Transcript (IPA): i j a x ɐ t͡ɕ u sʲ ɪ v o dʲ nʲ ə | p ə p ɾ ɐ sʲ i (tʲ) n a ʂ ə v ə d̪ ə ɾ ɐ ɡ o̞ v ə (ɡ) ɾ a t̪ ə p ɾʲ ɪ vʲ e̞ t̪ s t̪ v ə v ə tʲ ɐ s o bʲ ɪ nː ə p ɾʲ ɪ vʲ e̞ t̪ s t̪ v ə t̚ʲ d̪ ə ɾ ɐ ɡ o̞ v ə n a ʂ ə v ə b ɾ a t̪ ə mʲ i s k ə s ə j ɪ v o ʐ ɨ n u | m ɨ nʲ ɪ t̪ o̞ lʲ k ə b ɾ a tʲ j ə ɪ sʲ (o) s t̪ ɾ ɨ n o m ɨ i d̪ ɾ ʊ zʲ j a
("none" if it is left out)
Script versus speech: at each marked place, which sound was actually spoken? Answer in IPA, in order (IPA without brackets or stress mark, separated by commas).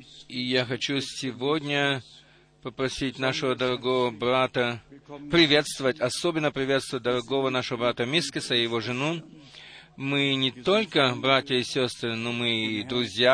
tʲ, b, o